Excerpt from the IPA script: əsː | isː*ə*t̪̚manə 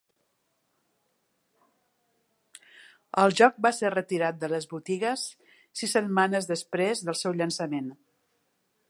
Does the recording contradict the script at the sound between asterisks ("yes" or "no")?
no